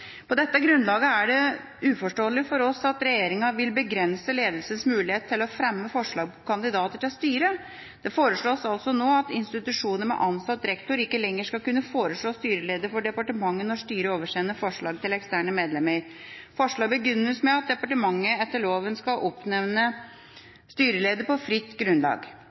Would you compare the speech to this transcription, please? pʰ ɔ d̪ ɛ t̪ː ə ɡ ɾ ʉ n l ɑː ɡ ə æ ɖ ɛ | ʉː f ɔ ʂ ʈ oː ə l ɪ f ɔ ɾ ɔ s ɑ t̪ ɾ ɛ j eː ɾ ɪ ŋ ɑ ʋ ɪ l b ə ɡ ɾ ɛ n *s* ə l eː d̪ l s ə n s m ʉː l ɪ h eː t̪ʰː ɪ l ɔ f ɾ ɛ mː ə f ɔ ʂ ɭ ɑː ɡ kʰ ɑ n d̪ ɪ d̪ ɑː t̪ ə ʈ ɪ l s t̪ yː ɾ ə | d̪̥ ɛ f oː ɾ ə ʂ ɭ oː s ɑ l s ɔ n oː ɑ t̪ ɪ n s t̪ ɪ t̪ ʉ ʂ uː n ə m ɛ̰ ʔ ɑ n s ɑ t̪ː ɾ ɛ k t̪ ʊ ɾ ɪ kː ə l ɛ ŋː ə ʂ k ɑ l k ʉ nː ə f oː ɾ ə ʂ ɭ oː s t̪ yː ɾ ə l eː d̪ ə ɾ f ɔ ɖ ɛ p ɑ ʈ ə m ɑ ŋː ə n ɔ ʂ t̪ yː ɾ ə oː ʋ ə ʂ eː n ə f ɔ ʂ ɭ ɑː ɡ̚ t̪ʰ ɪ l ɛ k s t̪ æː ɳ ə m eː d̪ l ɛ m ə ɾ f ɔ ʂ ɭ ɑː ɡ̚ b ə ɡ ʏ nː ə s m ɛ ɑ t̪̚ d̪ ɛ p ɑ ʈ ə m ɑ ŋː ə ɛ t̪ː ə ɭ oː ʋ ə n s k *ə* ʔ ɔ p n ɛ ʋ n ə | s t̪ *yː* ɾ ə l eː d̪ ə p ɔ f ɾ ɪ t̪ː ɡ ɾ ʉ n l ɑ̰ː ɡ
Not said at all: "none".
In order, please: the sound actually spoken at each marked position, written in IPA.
s, ɑ, yː

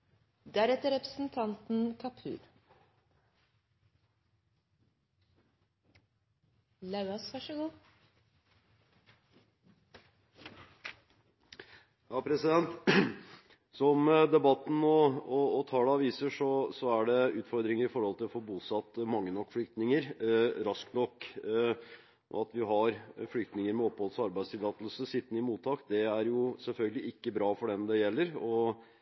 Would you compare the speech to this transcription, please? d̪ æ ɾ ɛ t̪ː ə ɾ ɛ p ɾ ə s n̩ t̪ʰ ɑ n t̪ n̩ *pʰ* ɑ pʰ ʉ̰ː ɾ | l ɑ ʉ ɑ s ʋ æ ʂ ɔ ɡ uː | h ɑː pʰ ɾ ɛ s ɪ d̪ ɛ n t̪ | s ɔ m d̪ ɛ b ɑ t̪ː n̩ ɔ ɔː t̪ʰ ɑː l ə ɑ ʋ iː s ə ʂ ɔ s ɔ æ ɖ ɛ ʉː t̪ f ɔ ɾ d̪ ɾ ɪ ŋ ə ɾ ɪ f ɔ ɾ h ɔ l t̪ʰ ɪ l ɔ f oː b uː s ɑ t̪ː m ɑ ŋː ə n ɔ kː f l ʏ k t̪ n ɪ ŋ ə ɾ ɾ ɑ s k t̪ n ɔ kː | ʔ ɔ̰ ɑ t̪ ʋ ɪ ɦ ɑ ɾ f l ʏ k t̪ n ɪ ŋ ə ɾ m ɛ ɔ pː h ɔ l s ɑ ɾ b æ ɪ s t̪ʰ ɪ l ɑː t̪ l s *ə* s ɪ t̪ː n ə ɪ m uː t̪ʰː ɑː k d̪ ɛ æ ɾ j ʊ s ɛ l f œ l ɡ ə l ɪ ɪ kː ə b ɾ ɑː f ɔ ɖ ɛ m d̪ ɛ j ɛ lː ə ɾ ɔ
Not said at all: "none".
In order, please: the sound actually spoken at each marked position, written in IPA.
kʰ, ə

